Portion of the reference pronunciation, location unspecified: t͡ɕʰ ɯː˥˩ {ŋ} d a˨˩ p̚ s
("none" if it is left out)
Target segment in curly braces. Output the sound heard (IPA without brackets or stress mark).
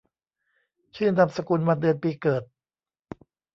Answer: n